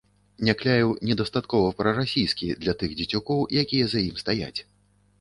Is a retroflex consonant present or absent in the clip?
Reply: absent